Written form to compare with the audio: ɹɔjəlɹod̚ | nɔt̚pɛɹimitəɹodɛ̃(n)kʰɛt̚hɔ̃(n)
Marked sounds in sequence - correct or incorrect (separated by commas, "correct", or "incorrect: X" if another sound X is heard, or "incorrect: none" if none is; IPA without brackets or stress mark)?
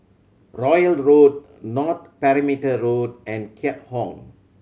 correct, incorrect: ŋ